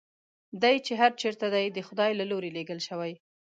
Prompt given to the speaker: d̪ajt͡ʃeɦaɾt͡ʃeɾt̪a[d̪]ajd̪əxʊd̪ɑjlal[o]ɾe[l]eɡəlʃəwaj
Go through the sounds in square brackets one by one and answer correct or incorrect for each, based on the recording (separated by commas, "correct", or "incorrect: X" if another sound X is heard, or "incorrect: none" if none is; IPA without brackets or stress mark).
correct, correct, correct